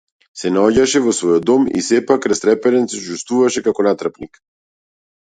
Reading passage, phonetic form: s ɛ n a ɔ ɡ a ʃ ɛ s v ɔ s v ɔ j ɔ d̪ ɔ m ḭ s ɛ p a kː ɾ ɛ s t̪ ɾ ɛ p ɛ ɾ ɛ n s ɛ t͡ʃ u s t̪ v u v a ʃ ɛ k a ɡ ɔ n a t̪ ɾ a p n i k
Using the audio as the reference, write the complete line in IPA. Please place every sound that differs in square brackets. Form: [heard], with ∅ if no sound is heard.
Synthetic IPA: s ɛ n a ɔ [ɟ] a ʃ ɛ [∅] v ɔ s v ɔ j ɔ d̪ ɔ m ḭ s ɛ p a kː ɾ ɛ s t̪ ɾ ɛ p ɛ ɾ ɛ n s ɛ t͡ʃ u s t̪ v u v a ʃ ɛ k a [k] ɔ n a t̪ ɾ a p n i k